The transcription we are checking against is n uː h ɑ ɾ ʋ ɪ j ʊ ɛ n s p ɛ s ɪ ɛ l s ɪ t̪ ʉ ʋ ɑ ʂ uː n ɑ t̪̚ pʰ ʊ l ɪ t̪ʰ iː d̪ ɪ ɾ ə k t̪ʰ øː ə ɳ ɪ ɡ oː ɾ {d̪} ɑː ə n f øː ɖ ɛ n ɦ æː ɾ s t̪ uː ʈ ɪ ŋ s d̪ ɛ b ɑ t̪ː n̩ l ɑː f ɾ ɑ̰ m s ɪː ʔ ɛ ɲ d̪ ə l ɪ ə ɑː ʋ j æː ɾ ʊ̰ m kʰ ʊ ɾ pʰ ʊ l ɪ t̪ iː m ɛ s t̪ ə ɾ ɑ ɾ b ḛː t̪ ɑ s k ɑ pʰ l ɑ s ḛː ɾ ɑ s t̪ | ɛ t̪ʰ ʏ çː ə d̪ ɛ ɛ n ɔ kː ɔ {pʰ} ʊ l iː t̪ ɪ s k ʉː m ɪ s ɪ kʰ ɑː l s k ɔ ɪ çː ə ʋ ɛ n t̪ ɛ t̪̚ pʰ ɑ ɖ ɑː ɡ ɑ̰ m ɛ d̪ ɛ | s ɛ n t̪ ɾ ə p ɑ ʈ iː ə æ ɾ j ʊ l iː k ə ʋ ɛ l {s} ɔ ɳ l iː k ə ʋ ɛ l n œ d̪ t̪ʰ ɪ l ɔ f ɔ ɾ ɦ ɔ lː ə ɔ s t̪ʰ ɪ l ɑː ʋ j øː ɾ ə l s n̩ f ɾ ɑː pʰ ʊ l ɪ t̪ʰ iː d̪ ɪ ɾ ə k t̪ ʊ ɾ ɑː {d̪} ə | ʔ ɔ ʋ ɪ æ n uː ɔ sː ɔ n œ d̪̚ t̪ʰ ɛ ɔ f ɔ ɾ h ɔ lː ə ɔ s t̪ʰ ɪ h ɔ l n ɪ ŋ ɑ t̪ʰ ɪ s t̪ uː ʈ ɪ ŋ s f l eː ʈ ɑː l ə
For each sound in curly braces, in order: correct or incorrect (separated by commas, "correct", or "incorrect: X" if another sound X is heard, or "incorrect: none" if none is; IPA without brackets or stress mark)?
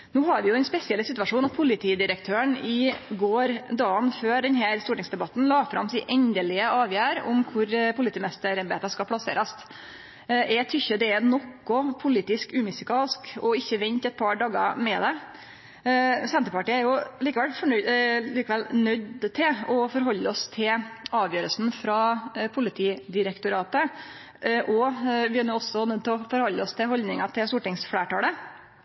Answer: correct, correct, incorrect: f, incorrect: t̪